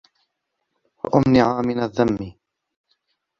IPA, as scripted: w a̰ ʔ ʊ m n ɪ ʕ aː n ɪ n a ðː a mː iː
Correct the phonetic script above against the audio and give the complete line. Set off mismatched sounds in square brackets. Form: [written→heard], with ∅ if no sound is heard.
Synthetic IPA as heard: w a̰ ʔ ʊ m n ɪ ʕ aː [n→m] ɪ n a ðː a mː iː